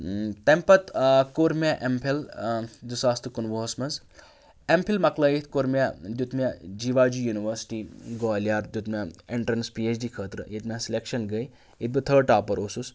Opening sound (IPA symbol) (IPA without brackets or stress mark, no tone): t̪